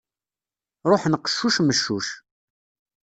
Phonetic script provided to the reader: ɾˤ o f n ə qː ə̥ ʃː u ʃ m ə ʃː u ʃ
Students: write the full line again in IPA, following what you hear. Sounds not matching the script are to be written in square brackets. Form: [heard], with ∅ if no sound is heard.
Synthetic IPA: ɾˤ o [ħ] n ə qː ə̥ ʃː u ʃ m ə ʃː u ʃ